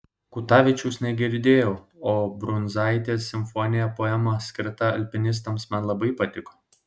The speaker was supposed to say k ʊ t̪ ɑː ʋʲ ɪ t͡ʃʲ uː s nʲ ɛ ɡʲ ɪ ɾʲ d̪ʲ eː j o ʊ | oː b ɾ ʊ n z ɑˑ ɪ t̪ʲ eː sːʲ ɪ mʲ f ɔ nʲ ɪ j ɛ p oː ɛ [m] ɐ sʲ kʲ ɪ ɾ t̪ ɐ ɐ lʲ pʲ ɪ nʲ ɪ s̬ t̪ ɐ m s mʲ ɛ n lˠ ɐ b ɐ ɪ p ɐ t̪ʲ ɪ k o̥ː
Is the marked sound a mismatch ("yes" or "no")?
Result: no